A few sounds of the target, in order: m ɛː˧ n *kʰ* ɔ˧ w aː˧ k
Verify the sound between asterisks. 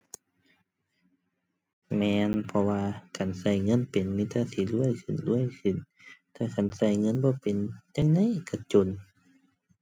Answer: incorrect: pʰ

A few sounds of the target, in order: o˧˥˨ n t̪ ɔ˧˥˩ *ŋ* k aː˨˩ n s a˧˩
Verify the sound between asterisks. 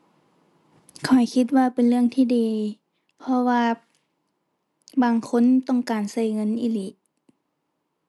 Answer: correct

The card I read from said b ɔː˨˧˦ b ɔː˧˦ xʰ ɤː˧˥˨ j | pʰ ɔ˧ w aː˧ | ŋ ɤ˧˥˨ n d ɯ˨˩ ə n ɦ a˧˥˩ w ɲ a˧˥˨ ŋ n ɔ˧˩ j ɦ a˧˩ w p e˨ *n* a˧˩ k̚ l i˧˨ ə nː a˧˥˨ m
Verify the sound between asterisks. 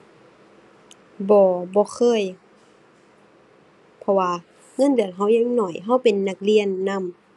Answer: incorrect: nː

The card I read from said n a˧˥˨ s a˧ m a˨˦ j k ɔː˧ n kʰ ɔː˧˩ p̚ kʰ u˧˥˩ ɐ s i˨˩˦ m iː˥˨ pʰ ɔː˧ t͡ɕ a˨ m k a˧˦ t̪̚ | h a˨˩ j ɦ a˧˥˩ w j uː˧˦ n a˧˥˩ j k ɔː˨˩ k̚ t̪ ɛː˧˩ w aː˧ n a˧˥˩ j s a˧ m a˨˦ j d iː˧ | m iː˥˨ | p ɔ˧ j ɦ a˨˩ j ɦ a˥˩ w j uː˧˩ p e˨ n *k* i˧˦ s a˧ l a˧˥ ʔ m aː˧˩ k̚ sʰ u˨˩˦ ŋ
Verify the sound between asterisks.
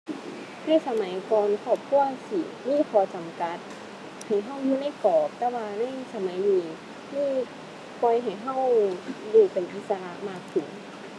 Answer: incorrect: ʔ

